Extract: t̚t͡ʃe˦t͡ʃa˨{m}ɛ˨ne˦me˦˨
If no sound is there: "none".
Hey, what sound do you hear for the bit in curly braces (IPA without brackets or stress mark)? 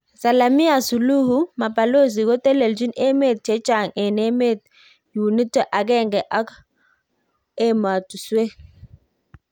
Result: ŋ